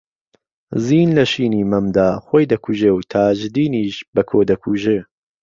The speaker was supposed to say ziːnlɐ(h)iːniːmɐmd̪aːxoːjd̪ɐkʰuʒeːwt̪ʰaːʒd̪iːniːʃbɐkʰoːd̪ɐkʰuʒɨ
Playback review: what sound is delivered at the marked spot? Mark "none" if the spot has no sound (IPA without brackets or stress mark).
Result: ʃ